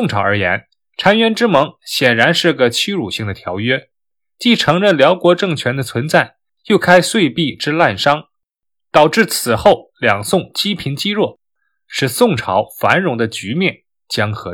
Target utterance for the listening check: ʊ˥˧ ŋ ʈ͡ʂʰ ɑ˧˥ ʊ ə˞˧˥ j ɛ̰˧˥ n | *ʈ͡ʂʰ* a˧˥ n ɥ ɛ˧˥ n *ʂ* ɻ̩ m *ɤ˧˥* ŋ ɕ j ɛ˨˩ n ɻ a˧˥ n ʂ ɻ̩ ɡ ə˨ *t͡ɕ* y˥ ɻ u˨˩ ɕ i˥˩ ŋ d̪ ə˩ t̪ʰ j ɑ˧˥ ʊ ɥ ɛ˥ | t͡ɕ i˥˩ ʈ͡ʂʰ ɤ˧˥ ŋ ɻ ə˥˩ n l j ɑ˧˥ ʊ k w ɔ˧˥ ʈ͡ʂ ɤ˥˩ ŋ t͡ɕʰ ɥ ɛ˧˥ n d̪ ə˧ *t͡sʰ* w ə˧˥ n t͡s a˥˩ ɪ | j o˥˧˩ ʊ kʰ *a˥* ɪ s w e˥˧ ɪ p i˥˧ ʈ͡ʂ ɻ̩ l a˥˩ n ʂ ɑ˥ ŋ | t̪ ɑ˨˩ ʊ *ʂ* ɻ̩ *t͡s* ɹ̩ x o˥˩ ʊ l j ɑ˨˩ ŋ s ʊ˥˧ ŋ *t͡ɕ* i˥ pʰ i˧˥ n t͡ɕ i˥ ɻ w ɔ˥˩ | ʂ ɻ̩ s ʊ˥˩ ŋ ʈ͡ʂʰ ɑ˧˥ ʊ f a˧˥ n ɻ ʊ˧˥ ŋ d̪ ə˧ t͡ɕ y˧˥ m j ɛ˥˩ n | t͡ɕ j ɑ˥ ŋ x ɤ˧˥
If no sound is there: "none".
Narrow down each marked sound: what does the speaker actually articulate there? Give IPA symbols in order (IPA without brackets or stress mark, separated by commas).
ʈ͡ʂʰ, ʈ͡ʂ, ɤ˧˥, t͡ɕʰ, t͡sʰ, a˥, ʈ͡ʂ, t͡sʰ, t͡ɕ